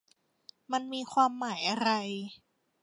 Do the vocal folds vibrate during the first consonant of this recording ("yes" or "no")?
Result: yes